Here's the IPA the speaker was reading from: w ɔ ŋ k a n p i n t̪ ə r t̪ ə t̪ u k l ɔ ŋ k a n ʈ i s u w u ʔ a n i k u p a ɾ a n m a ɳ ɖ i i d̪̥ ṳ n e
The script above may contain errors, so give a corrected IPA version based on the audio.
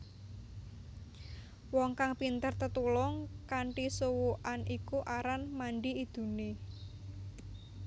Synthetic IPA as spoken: w ɔ ŋ k a ŋ p i n t̪ ə r t̪ ə t̪ u l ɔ ŋ k a ɳ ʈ i s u w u ʔ a n i k u ʔ a ɾ a n m a ɳ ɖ i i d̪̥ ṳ n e